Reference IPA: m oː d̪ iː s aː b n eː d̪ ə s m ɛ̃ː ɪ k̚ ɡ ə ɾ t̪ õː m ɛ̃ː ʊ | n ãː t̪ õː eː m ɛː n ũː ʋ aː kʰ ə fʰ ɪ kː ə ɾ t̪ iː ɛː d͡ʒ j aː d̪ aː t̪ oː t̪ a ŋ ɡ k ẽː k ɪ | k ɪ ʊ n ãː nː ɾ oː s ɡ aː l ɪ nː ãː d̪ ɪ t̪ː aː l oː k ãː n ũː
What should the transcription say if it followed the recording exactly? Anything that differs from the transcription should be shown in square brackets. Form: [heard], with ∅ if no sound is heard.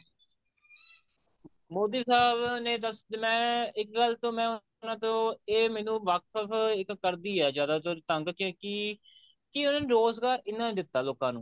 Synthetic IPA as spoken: m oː d̪ iː s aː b n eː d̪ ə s m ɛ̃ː ɪ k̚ ɡ ə [l] t̪ õː m ɛ̃ː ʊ | n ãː t̪ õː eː m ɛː n ũː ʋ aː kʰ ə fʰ ɪ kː ə ɾ [d̪] iː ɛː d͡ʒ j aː d̪ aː t̪ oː t̪ [ə] ŋ ɡ k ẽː k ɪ | k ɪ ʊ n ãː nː ɾ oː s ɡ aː [ɾ] ɪ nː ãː d̪ ɪ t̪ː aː l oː k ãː n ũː